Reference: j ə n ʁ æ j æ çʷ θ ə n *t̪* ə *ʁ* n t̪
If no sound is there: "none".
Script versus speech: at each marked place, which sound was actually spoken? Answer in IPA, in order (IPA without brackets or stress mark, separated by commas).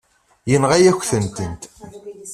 t̪, none